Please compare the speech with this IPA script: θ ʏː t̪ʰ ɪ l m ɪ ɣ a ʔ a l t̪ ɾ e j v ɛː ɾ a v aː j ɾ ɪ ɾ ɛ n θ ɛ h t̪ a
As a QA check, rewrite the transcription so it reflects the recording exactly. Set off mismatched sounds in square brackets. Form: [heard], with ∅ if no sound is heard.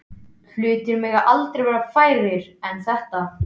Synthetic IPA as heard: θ ʏː [t̪] ɪ [ɾ] m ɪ ɣ a ʔ a l t̪ ɾ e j v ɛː ɾ a [f] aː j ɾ ɪ ɾ ɛ n θ ɛ h t̪ a